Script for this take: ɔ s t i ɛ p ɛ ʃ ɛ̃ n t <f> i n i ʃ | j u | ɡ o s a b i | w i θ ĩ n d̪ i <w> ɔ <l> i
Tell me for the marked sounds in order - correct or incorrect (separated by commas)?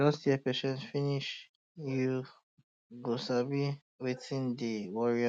correct, correct, incorrect